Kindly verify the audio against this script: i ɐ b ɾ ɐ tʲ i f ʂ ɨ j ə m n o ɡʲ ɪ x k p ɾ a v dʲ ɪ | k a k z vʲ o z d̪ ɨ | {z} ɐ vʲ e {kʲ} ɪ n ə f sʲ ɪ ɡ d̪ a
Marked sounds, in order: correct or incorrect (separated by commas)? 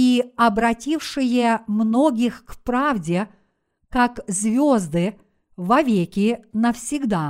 incorrect, correct